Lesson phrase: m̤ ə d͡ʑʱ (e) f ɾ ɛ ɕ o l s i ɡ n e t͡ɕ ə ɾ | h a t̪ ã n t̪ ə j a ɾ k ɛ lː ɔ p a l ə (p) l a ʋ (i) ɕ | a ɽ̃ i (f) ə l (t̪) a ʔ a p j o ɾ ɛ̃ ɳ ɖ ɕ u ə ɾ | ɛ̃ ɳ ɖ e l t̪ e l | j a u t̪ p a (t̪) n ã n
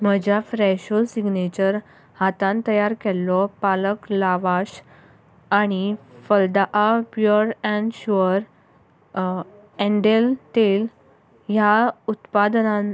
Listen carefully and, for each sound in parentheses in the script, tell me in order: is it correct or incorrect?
incorrect: a, incorrect: k, incorrect: a, correct, incorrect: d̪, incorrect: d̪

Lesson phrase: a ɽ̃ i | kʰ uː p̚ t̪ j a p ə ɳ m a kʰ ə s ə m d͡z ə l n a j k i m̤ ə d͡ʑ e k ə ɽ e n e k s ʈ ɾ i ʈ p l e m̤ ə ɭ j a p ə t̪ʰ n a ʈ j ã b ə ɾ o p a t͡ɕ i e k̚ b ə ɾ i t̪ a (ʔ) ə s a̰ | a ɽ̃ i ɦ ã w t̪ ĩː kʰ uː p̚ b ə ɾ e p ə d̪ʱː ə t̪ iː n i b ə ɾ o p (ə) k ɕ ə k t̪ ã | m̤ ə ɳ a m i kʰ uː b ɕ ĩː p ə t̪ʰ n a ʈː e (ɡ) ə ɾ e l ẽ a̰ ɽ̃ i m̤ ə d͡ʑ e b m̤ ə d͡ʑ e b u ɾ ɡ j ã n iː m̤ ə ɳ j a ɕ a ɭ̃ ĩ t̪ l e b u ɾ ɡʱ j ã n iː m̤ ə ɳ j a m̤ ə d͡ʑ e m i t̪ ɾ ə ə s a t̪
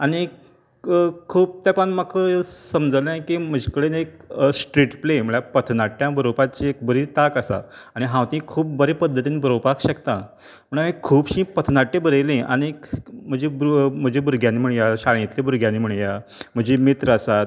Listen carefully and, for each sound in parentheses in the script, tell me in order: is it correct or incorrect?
incorrect: k, incorrect: a, incorrect: b

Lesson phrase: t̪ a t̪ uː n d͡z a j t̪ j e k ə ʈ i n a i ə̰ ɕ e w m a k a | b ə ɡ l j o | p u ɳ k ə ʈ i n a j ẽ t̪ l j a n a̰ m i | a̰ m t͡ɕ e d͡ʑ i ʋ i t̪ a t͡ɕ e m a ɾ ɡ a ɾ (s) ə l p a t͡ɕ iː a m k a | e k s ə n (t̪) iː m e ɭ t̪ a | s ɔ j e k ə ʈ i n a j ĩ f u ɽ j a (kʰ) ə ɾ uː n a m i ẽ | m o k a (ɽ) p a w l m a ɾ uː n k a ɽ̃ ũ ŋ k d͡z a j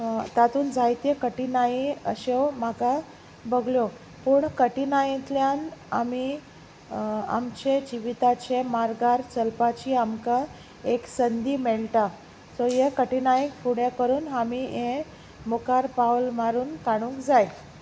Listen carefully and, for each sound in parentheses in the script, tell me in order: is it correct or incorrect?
incorrect: t͡s, incorrect: d̪, incorrect: k, incorrect: ɾ

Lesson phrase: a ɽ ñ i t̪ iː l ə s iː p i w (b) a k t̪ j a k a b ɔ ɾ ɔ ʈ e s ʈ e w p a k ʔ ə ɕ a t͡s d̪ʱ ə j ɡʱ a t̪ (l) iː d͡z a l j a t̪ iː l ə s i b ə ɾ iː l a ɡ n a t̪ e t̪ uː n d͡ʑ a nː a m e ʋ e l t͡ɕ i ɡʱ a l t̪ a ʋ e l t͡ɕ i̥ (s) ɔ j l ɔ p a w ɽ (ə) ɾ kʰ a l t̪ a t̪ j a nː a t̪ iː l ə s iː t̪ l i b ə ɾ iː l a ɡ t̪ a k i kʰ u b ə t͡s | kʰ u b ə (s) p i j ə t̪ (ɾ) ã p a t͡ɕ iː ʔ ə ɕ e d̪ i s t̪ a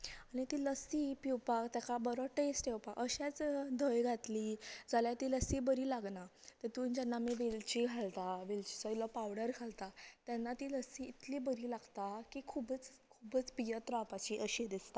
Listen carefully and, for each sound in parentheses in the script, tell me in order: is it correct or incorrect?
incorrect: p, correct, correct, correct, incorrect: t͡s, correct

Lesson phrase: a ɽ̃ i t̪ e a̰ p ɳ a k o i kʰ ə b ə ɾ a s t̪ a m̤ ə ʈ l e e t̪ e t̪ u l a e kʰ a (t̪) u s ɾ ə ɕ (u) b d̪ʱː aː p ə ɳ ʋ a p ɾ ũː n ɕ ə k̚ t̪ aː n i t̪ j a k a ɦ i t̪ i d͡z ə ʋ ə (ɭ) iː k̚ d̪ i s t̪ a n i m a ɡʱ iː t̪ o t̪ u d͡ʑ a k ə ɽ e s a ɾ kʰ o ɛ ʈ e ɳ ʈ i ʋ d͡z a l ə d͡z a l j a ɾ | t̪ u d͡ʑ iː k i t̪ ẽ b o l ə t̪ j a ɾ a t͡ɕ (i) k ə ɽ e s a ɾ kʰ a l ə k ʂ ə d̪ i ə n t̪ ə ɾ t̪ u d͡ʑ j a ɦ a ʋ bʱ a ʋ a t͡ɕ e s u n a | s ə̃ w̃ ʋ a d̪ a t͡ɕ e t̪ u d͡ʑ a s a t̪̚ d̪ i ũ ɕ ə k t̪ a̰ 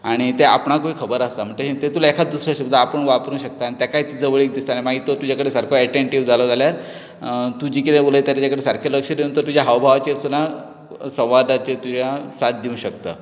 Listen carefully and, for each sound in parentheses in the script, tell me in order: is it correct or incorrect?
incorrect: d̪, correct, correct, incorrect: a

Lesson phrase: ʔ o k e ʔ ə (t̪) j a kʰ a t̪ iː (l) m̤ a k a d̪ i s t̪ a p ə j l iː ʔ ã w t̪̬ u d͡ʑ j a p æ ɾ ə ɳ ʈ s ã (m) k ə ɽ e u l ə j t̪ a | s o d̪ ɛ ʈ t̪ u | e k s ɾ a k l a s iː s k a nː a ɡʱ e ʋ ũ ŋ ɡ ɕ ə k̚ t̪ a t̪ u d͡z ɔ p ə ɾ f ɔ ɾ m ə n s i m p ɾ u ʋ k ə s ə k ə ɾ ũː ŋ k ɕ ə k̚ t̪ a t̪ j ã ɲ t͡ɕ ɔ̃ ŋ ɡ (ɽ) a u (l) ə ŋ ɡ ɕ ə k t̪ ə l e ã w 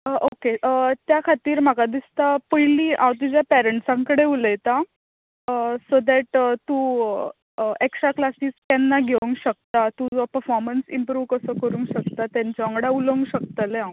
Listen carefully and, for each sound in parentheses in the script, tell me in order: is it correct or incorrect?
correct, incorrect: ɾ, incorrect: ŋ, correct, correct

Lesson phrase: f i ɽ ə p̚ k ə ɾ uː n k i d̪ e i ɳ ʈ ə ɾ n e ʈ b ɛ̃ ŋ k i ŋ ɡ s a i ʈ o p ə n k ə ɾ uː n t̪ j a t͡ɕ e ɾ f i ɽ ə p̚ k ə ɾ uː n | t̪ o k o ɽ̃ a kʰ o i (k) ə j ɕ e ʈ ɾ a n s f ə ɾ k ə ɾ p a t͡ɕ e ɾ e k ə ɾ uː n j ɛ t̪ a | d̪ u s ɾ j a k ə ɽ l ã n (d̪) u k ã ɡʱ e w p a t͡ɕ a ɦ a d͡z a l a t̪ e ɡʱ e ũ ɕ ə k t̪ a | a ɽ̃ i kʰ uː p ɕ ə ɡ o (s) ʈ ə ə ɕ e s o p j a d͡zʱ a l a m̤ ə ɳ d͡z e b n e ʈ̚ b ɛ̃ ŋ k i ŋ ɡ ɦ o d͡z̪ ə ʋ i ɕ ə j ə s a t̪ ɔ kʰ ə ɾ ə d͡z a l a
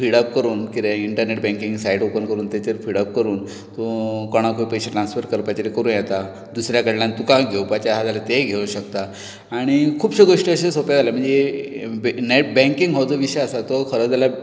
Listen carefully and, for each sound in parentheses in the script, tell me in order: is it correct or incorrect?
incorrect: p, incorrect: t̪, incorrect: ʂ

